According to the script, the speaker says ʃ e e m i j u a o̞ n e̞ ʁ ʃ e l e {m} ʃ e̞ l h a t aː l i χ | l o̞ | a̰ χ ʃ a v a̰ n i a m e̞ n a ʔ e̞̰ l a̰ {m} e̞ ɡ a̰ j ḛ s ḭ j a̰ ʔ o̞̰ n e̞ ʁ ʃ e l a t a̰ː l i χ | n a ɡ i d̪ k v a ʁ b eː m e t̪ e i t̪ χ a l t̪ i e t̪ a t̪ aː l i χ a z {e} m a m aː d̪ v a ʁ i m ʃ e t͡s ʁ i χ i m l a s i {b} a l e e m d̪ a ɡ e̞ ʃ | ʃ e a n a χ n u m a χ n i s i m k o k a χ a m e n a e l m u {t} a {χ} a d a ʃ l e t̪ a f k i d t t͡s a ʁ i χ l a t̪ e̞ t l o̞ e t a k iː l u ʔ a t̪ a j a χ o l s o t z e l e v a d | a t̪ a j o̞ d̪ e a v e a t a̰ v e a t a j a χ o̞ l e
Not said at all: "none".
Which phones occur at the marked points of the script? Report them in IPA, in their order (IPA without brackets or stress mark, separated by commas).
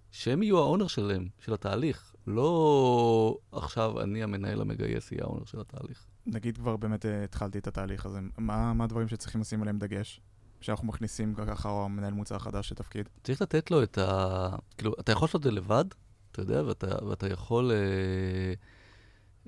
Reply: m, m, e, m, t͡s, χ